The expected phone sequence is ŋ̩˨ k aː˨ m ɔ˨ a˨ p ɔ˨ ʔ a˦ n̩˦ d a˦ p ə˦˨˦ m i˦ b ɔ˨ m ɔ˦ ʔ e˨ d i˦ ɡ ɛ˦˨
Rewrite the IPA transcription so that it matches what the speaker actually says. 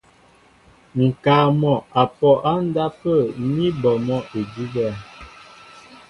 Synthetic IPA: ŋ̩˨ k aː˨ m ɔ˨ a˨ p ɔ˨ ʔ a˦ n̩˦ d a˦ p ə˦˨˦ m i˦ b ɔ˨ m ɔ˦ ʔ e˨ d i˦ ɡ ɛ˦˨